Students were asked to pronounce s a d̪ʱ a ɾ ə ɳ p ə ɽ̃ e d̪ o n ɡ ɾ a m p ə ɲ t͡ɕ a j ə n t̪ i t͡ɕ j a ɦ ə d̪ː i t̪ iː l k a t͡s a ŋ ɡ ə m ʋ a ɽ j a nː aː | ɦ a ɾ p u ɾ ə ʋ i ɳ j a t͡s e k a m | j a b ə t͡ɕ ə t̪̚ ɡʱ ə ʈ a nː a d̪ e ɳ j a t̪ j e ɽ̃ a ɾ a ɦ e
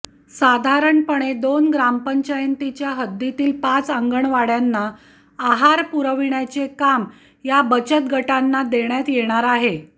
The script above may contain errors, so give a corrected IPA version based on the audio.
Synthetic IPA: s a d̪ʱ a ɾ ə ɳ p ə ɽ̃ e d̪ o n ɡ ɾ a m p ə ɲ t͡ɕ a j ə n t̪ i t͡ɕ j a ɦ ə d̪ː i t̪ iː l p a t͡s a ŋ ɡ ə ɳ ʋ a ɽ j a nː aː | ɦ a ɾ p u ɾ ə ʋ i ɳ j a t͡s e k a m | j a b ə t͡ɕ ə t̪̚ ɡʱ ə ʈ a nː a d̪ e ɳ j a t̪ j e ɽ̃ a ɾ a ɦ e